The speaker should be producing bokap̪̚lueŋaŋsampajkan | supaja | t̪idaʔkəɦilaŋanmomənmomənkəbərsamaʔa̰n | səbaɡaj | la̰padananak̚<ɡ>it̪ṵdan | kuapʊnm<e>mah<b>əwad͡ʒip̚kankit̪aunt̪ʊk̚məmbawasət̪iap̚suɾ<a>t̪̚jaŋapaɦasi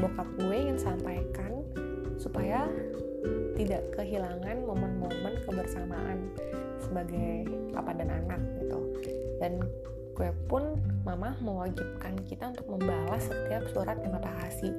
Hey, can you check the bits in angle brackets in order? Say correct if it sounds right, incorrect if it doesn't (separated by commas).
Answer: correct, incorrect, incorrect, correct